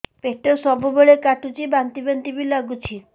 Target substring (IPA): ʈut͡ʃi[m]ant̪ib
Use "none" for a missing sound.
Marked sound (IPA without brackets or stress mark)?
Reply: b